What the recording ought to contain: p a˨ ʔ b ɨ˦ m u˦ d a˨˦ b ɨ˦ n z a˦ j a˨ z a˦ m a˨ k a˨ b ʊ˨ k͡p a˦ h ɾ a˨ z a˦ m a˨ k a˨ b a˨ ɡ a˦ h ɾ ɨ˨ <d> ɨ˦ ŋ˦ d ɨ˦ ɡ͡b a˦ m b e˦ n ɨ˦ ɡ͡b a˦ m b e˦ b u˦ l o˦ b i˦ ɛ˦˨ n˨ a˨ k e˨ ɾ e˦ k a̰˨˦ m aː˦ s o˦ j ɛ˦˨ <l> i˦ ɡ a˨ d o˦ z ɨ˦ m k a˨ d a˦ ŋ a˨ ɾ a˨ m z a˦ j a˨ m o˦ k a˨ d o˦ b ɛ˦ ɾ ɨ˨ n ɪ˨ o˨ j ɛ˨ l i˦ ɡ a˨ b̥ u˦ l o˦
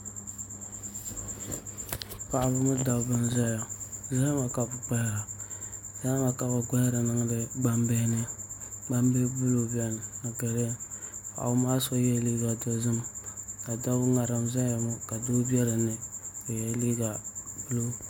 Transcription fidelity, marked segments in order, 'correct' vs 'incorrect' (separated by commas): incorrect, correct